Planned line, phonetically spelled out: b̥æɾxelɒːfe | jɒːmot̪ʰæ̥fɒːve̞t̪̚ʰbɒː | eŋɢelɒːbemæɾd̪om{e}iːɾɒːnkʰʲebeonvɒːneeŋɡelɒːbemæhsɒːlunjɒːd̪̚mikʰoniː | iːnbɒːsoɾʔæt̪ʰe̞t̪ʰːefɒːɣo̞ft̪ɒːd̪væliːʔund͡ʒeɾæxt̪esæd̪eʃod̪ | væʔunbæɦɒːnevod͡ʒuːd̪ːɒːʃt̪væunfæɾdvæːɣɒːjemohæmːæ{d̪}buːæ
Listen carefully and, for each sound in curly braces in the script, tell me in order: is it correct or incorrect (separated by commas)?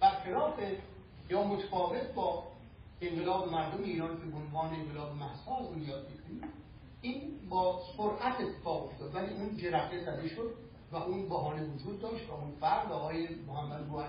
correct, correct